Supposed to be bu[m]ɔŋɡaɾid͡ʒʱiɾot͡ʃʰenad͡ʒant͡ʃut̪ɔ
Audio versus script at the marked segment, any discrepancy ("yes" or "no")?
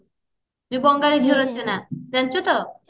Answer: yes